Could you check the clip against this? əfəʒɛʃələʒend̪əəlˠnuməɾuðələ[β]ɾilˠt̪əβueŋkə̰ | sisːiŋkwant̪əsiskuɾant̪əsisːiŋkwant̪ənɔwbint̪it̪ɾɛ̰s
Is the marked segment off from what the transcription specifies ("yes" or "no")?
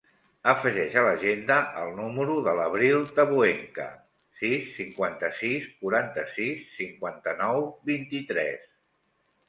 no